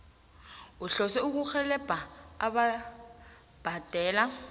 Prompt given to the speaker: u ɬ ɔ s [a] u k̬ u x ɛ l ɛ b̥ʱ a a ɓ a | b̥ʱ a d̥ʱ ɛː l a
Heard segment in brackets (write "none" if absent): ɛ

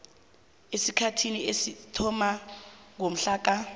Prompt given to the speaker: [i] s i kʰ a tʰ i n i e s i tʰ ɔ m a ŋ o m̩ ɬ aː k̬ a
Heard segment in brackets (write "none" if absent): e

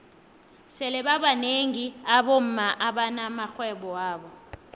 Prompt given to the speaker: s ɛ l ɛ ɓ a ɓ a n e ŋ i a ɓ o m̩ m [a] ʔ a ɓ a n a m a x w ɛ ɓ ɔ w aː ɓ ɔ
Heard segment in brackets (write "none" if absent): a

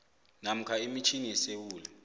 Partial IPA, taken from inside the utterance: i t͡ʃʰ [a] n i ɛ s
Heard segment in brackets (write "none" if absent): i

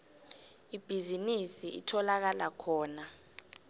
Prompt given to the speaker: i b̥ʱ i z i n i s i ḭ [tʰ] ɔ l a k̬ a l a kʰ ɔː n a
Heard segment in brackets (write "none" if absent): tʰ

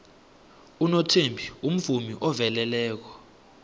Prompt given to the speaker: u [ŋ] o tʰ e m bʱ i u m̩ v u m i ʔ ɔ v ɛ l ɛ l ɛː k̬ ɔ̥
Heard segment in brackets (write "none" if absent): n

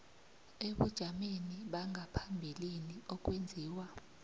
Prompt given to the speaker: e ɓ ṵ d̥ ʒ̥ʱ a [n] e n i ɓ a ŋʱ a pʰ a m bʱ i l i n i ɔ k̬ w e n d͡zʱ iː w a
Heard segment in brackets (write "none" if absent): m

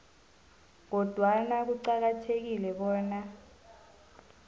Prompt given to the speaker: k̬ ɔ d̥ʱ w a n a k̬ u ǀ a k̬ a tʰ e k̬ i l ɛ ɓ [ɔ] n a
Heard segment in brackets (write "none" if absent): ɔː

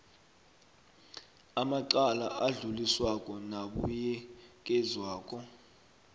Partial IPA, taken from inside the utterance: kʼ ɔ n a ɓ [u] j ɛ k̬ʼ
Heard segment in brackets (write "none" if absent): u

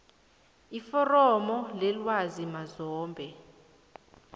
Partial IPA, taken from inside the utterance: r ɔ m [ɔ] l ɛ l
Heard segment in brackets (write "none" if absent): ɔ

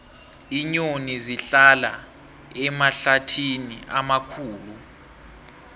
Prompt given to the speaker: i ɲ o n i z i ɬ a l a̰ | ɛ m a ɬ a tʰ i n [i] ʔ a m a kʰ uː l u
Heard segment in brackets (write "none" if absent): i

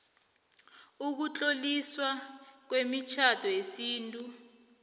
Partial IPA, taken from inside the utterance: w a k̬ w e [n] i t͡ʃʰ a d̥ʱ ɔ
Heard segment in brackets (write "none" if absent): m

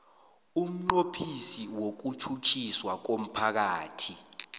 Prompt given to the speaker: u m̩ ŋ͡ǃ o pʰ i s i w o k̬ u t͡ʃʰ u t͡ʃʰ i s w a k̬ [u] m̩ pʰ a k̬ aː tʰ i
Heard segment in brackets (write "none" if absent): o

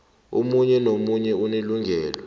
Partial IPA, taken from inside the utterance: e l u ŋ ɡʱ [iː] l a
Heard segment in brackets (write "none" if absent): ɛː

